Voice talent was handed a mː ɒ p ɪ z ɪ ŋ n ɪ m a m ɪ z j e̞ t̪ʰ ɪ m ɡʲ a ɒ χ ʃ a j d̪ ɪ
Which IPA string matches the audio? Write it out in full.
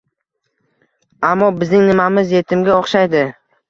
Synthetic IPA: a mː ɒ b ɪ z ɪ ŋ n ɪ m a m ɪ z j e̞ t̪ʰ ɪ m ɡʲ a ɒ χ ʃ a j d̪ ɪ